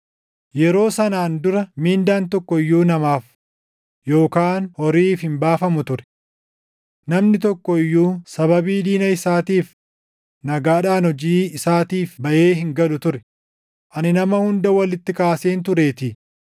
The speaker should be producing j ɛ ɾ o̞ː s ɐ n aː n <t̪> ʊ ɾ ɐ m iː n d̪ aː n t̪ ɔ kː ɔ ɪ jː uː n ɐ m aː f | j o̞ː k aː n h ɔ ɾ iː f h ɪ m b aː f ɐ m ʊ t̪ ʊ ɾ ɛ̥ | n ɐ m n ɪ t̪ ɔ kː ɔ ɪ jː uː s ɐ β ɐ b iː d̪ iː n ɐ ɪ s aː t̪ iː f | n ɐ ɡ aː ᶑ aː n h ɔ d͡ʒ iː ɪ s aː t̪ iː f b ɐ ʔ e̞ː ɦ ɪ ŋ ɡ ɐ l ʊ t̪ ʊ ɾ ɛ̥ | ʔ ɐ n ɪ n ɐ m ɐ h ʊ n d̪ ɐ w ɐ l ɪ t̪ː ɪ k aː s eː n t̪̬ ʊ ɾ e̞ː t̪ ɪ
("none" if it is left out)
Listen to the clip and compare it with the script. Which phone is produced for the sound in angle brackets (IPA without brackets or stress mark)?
d̪